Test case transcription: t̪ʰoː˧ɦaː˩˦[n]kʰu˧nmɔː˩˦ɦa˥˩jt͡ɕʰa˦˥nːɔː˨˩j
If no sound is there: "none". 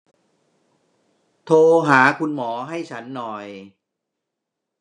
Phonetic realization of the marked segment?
none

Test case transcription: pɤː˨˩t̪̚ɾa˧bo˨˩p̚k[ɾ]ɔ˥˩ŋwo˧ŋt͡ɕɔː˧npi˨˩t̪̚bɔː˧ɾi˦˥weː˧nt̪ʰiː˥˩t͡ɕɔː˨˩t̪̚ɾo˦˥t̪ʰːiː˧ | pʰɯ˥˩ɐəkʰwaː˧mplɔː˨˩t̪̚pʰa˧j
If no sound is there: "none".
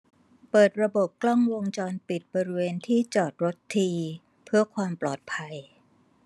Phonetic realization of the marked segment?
l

